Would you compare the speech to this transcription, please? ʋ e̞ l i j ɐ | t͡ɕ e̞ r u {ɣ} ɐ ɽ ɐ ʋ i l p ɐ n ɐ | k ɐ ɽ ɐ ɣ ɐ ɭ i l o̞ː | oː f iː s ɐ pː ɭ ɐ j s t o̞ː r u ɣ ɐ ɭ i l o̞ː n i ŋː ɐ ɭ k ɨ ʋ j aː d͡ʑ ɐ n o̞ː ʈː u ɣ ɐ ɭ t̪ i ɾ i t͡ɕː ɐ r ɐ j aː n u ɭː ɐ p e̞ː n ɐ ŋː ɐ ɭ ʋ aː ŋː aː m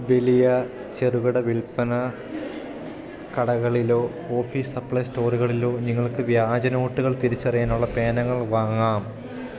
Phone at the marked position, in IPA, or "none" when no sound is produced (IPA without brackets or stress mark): ɣ